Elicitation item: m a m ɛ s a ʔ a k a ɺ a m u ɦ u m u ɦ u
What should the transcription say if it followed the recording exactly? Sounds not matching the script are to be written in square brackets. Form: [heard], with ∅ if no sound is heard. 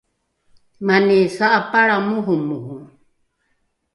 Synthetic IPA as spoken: m a [n] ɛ s a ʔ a [p] a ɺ a m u ɦ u m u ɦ u